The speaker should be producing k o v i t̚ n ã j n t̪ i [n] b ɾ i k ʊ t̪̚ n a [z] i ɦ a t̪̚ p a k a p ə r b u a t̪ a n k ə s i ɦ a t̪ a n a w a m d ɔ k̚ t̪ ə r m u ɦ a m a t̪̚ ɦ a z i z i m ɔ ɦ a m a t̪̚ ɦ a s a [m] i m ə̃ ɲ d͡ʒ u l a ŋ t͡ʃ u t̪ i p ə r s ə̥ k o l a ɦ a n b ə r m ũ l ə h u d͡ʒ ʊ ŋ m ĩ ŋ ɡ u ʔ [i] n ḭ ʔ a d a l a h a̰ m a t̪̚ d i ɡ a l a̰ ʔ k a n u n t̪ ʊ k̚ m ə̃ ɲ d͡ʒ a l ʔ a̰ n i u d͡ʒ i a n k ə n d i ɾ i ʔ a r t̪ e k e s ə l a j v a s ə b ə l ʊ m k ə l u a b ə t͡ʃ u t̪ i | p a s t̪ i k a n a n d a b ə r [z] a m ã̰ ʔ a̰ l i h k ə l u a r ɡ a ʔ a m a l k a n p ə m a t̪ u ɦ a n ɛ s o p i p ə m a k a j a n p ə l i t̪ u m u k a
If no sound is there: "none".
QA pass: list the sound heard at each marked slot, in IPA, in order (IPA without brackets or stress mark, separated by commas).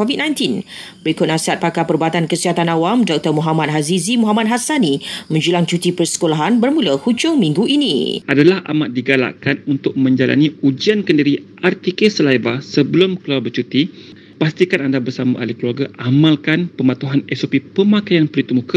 n, s, n, i, s